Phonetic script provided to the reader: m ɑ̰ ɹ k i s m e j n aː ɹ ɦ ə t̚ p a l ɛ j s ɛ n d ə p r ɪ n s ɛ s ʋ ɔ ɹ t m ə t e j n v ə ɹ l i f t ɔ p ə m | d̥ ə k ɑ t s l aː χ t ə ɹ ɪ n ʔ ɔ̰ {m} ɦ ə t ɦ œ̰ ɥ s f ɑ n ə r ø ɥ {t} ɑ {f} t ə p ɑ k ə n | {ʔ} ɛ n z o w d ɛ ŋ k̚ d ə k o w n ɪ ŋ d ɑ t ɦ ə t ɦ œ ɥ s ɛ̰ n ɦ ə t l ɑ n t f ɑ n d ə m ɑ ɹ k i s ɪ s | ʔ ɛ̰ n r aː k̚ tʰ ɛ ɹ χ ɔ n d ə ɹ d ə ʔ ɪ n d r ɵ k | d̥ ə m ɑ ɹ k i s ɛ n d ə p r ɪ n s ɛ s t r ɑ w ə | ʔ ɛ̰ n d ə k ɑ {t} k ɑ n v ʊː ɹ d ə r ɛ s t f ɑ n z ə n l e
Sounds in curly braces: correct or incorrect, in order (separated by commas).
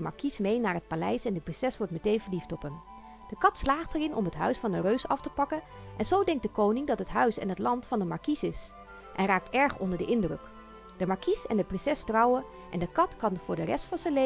correct, incorrect, correct, correct, correct